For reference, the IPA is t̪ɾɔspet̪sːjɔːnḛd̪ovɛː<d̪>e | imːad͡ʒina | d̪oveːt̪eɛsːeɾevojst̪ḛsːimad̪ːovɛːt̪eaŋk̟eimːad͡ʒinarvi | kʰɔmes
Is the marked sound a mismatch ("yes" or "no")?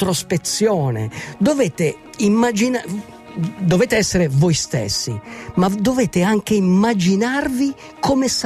yes